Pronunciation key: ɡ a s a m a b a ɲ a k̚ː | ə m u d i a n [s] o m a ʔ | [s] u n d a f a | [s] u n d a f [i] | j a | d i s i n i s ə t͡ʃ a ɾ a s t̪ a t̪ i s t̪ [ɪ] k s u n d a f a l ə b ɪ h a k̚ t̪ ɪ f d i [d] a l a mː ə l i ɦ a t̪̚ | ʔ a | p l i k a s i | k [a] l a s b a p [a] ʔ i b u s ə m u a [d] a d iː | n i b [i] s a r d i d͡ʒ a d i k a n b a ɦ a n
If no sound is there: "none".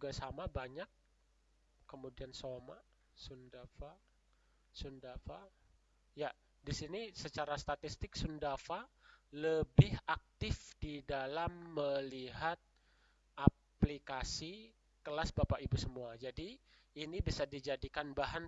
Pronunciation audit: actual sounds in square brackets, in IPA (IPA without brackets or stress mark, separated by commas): s, s, s, a, ɪ, d, ə, a, d͡ʒ, i